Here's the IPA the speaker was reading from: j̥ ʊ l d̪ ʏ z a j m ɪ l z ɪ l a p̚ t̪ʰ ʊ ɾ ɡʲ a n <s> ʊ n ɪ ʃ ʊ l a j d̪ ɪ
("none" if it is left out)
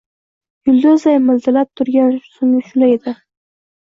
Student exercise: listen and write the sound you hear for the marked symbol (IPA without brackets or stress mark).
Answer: s